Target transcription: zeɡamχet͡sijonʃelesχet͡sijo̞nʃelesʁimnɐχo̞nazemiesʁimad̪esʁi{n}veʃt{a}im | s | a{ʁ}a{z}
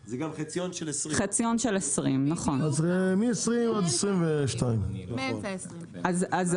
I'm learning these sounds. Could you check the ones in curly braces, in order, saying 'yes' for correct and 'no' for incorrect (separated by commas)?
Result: no, yes, no, yes